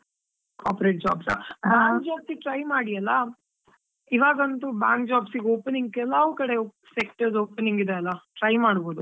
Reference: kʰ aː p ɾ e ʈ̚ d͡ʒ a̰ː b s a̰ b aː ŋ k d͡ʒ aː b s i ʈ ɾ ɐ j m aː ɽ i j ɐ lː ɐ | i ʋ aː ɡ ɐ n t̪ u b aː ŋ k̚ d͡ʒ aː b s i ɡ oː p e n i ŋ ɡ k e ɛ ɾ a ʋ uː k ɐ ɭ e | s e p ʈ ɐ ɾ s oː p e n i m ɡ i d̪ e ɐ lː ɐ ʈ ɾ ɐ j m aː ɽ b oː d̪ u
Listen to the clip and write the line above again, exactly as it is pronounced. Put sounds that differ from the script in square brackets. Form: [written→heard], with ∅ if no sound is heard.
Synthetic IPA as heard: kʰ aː p ɾ e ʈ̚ d͡ʒ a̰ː b s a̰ b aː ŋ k d͡ʒ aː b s i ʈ ɾ ɐ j m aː ɽ i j ɐ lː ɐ | i ʋ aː ɡ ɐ n t̪ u b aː ŋ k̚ d͡ʒ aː b s i ɡ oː p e n i ŋ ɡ k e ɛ [ɾ→l] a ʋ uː k ɐ [ɭ→ɽ] e | s e [p→k] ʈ ɐ ɾ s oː p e n i [m→ŋ] ɡ i d̪ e ɐ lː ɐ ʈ ɾ ɐ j m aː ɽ b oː d̪ u